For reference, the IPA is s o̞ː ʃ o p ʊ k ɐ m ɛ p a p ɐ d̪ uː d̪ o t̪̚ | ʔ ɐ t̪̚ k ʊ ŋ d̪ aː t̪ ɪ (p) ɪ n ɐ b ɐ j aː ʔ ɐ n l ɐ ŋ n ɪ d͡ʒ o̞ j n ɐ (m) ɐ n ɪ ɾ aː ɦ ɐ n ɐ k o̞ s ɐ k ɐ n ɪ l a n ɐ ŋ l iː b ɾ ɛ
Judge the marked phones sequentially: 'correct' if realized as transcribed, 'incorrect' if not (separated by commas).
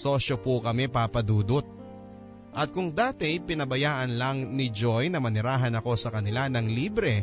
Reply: correct, correct